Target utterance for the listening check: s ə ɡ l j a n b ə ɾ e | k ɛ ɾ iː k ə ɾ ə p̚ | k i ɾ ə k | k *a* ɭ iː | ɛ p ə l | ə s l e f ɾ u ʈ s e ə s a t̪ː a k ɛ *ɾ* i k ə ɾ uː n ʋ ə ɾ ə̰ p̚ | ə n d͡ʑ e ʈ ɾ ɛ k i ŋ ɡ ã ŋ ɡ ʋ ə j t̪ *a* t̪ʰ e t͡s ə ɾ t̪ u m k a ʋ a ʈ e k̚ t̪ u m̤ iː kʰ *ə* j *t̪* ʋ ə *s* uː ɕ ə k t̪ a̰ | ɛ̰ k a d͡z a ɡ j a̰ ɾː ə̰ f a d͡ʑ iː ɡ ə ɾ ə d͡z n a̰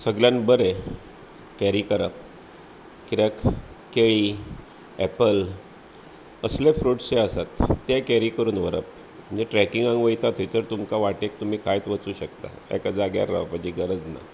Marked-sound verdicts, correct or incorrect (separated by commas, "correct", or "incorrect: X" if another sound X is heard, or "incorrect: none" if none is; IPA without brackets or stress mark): incorrect: e, correct, correct, incorrect: a, correct, incorrect: t͡s